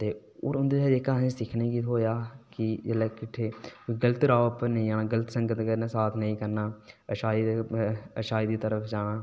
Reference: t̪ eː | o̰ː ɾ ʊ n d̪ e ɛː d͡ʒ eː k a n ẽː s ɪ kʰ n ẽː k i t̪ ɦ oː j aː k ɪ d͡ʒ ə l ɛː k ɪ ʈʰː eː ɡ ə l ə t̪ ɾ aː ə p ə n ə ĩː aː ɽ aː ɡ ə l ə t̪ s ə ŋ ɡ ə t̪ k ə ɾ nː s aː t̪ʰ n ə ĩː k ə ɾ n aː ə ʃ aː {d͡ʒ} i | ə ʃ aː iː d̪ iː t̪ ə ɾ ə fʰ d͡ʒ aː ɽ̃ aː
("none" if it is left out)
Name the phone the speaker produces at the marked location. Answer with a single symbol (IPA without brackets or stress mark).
none